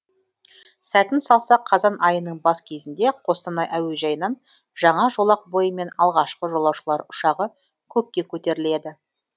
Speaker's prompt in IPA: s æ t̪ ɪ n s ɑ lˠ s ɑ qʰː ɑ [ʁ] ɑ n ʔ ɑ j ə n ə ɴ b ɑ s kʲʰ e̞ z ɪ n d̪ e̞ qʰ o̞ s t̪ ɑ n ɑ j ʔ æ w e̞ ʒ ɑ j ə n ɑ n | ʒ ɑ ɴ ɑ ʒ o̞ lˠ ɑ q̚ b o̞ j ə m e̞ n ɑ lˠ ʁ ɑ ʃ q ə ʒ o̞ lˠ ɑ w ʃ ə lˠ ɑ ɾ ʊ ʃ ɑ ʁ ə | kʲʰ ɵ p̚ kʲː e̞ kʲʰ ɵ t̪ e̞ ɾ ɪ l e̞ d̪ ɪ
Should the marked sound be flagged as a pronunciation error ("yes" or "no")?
yes